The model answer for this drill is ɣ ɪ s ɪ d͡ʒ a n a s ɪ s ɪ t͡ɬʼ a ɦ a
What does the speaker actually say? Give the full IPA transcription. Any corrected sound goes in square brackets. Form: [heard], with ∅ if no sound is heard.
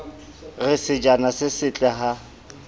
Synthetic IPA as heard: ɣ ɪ s ɪ d͡ʒ a n a s ɪ s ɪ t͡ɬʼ [ɛ] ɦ a